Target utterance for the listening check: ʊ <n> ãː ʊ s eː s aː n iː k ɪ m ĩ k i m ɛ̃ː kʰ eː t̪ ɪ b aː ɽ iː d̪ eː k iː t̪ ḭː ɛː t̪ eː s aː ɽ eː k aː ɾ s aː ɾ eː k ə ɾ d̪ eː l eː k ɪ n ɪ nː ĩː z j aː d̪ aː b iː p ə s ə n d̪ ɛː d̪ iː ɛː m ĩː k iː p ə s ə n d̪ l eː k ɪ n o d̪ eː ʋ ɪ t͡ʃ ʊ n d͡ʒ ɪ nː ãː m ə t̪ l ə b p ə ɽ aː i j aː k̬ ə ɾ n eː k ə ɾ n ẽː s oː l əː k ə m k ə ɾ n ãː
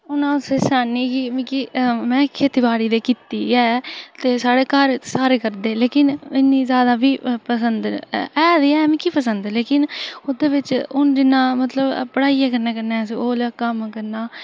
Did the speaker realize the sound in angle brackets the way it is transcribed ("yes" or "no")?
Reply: yes